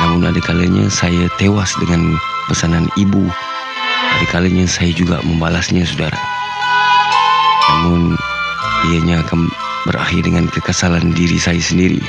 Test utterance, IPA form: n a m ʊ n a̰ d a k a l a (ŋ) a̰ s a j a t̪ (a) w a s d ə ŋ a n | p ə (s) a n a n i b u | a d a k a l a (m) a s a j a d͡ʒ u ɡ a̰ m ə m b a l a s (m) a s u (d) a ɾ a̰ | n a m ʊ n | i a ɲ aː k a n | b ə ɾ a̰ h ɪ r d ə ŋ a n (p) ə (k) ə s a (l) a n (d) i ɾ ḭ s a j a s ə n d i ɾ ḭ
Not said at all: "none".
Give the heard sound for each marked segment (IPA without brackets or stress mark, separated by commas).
ɲ, e, s, ɲ, ɲ, d, k, k, l, d